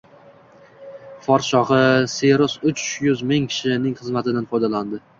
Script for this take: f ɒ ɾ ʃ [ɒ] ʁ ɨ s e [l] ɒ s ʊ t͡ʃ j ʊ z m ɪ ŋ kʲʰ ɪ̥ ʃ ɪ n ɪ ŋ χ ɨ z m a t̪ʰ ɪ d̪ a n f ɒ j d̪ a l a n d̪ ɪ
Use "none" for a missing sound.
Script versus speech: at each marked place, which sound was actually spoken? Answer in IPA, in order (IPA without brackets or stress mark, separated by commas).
ɒ, ɾ